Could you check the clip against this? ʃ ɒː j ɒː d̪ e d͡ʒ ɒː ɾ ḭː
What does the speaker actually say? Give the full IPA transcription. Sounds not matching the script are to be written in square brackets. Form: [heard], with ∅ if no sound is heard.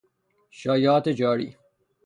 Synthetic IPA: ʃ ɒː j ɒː [t̪] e d͡ʒ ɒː ɾ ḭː